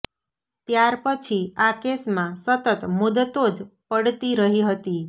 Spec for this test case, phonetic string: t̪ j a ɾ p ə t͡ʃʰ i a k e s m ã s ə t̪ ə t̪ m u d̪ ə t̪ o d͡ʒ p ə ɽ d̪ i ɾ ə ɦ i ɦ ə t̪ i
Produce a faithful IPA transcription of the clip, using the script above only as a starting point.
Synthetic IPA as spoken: t̪ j a ɾ p ə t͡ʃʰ i a k e s m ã s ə t̪ ə t̪ m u d̪ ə t̪ o d͡ʒ p ə ɽ t̪ i ɾ ə ɦ i ɦ ə t̪ i